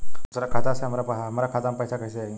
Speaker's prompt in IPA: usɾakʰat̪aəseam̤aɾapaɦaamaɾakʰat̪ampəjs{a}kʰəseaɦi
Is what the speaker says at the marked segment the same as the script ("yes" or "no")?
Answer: yes